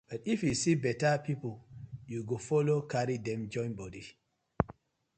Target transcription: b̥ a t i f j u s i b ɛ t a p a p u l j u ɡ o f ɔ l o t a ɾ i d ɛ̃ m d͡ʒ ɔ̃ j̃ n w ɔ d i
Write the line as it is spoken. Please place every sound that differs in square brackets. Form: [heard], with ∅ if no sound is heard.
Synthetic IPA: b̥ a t i f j u s i b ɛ t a p [i] p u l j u ɡ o f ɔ l o [k] a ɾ i d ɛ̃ m d͡ʒ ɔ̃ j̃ n [b] ɔ d i